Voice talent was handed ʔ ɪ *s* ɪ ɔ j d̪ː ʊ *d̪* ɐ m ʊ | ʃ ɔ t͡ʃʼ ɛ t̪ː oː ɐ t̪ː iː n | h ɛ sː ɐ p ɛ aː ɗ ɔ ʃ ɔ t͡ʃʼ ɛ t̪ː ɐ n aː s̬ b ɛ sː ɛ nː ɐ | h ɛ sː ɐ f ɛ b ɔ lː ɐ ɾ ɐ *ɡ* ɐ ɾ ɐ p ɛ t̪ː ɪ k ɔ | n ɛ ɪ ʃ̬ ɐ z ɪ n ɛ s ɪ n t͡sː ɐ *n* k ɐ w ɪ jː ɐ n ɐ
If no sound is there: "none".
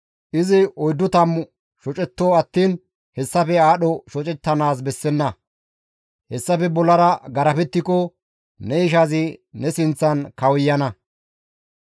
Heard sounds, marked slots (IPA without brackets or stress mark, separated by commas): z, t̪, ɡ, n